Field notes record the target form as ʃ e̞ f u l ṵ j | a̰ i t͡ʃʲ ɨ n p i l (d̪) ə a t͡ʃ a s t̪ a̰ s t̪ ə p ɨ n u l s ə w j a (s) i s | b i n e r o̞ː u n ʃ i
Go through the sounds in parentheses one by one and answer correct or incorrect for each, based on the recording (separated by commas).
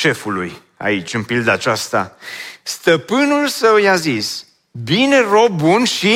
correct, incorrect